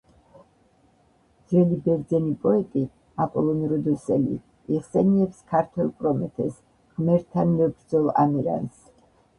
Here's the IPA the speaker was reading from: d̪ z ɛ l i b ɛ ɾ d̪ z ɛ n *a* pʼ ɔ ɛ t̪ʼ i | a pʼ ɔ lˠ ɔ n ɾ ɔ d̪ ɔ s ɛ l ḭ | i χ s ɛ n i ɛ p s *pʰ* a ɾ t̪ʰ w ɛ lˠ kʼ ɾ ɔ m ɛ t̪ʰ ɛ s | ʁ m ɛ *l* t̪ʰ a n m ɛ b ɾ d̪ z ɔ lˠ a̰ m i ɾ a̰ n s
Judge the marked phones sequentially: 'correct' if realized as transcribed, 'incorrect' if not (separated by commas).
incorrect, incorrect, incorrect